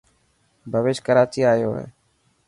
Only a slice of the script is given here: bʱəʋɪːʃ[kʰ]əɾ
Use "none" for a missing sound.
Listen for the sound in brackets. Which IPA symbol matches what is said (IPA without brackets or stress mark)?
k